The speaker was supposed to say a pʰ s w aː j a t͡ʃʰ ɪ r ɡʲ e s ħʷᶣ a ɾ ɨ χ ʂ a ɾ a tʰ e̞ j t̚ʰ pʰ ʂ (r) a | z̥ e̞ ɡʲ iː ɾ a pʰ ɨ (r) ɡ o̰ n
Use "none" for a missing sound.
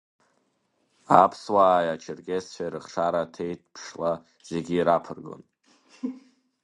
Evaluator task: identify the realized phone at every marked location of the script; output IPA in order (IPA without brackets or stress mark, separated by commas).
l, r